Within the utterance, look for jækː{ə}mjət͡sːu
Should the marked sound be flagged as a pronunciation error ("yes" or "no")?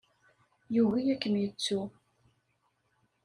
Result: no